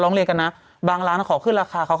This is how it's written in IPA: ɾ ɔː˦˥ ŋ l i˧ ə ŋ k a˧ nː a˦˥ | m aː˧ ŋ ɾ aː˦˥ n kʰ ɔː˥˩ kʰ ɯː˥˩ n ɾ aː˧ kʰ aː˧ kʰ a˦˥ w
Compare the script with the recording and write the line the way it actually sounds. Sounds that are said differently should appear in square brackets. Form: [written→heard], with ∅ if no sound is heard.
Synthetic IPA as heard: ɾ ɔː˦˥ ŋ l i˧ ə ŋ k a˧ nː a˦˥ | [m→b] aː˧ ŋ ɾ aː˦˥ n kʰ [ɔː˥˩→ɔː˩˦] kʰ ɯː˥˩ n ɾ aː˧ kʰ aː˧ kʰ a˦˥ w